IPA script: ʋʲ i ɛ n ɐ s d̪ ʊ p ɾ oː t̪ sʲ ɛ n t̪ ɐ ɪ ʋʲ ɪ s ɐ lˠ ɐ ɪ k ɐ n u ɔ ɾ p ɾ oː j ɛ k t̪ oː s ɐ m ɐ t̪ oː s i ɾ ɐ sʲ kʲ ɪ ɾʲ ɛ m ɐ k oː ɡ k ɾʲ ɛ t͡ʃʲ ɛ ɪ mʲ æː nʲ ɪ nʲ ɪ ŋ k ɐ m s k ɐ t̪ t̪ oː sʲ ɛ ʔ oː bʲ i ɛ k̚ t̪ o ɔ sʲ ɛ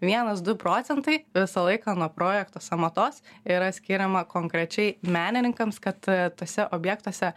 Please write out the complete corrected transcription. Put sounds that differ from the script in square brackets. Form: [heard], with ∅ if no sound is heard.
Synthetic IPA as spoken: ʋʲ i ɛ n ɐ s d̪ ʊ p ɾ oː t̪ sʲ ɛ n t̪ ɐ ɪ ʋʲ ɪ s ɐ lˠ ɐ ɪ k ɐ n u ɔ [∅] p ɾ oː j ɛ k t̪ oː s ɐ m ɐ t̪ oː s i ɾ ɐ sʲ kʲ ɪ ɾʲ ɛ m ɐ k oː [ŋ] k ɾʲ ɛ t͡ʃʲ ɛ ɪ mʲ æː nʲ ɪ nʲ ɪ ŋ k ɐ m s k ɐ t̪ t̪ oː sʲ ɛ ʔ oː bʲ [j] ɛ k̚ t̪ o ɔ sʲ ɛ